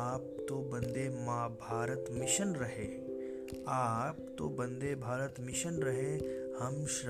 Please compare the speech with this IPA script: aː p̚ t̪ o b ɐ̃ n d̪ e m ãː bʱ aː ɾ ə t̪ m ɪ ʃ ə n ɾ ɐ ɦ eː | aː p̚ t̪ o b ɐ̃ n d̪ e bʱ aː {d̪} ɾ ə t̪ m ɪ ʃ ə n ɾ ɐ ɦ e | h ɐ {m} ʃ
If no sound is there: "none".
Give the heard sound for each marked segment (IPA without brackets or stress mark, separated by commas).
none, m